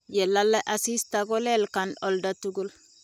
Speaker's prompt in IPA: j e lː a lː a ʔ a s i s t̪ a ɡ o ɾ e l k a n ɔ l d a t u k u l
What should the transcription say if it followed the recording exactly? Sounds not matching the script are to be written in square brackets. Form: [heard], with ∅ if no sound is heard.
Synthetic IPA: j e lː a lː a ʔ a s i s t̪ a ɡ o [l] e l k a n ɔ l d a t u [ɡ] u l